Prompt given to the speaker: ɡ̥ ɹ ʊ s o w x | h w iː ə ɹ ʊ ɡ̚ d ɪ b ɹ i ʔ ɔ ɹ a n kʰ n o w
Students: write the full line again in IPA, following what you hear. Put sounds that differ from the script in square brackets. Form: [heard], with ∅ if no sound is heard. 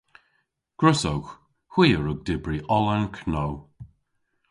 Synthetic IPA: ɡ̥ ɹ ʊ s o w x | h w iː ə ɹ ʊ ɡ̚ d ɪ b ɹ i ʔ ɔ [l] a n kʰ n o w